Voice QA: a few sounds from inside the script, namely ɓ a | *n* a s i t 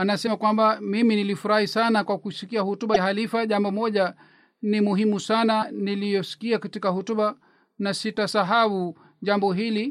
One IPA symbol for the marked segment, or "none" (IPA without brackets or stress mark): n